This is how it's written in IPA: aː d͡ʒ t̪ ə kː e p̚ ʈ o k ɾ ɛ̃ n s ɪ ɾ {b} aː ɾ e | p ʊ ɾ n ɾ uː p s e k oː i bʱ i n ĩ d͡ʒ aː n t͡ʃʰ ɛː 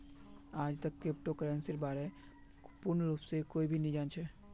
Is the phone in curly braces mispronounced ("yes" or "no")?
no